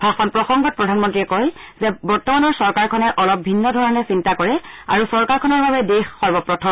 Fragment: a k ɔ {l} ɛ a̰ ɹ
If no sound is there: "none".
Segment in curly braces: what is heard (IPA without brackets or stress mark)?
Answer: ɹ